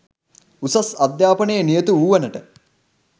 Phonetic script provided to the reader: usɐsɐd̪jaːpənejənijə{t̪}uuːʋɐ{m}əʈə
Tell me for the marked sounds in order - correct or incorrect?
correct, incorrect: n

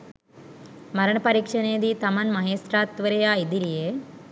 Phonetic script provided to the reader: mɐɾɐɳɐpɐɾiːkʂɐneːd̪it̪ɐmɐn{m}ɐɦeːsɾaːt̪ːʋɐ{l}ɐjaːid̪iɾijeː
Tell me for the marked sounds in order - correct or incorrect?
correct, incorrect: ɾ

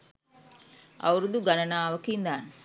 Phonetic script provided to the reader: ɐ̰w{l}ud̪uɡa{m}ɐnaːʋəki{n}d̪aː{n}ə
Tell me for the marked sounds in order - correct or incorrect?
incorrect: ɾ, incorrect: n, correct, correct

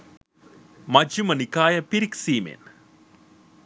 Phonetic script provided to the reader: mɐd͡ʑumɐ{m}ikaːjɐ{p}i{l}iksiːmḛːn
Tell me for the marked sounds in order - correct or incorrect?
incorrect: n, correct, incorrect: ɾ

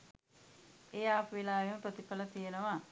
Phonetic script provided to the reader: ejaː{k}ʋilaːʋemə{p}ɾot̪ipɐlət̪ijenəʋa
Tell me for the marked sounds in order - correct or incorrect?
incorrect: p, correct

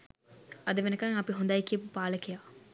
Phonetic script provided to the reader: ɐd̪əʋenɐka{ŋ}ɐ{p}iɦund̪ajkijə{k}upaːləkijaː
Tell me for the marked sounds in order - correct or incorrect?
correct, correct, incorrect: p

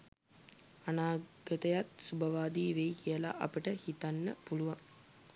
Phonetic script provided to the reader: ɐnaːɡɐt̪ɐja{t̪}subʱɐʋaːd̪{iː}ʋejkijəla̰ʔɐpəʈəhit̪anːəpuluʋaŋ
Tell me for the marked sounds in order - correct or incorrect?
correct, correct

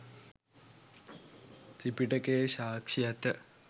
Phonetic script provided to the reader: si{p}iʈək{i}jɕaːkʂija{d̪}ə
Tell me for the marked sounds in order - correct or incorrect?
correct, incorrect: e, incorrect: t̪

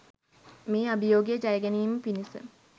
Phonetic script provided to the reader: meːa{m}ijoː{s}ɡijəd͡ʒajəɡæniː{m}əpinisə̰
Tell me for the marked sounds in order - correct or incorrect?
incorrect: b, incorrect: none, correct

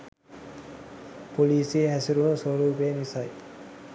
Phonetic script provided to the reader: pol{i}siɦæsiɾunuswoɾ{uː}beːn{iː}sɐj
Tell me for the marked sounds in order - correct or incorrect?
incorrect: iː, correct, incorrect: i

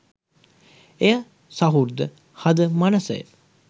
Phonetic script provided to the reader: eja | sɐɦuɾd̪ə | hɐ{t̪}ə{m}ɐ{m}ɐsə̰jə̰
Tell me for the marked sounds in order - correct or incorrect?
incorrect: d̪, correct, incorrect: n

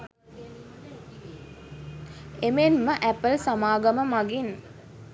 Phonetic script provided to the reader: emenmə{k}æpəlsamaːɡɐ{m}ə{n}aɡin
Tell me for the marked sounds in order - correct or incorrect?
incorrect: ʔ, correct, incorrect: m

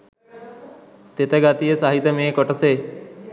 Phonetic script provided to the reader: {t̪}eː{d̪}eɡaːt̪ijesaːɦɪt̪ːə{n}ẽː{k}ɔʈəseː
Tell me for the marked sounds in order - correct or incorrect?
correct, incorrect: t̪, incorrect: m, correct

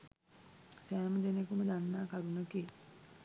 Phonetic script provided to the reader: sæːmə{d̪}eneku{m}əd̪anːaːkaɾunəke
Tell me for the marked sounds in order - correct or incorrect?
correct, correct

